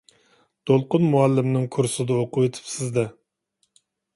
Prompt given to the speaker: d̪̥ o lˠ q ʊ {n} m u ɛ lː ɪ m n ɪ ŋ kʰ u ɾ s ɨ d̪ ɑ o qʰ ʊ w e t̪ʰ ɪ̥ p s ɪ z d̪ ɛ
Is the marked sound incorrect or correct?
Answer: correct